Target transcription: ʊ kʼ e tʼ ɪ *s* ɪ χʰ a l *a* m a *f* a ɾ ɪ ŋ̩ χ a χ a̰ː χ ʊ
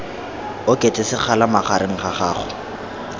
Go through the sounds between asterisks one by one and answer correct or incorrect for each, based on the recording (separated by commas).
correct, correct, incorrect